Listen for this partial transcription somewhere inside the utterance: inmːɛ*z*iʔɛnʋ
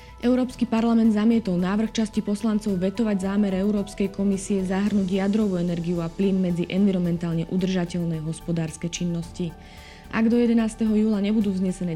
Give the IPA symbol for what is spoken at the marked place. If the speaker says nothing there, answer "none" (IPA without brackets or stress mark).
d͡z